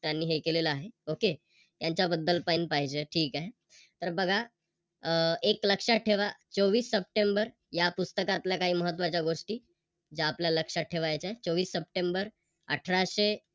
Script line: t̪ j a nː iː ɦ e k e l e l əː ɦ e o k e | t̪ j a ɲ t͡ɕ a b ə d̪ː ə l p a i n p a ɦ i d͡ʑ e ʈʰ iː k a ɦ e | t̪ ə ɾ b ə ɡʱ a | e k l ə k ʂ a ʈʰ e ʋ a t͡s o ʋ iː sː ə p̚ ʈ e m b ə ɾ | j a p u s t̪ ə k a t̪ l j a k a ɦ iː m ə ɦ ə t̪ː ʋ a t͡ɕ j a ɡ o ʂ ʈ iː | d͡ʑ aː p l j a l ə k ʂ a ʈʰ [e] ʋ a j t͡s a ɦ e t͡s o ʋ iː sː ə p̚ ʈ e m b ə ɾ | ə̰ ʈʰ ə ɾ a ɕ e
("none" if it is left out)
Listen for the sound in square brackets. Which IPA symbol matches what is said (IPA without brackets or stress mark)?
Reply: e